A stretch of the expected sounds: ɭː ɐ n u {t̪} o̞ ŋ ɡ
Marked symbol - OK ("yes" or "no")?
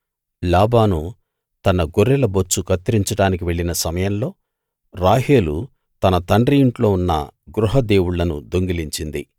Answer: no